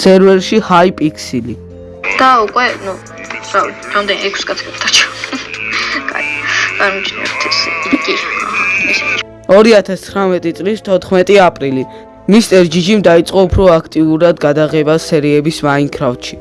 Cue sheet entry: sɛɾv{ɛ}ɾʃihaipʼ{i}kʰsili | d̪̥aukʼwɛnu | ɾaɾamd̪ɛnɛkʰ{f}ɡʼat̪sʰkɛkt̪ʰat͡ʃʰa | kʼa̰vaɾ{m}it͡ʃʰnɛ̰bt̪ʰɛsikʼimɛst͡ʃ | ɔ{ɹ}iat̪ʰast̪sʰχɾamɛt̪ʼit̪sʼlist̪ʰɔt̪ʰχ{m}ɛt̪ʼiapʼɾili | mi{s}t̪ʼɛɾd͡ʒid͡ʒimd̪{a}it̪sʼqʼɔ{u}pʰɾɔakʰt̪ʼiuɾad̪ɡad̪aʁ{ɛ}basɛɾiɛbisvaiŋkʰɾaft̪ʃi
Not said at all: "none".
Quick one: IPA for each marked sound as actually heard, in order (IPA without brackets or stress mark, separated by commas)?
ɛ, i, s, m, ɾ, m, s, a, u, ɛ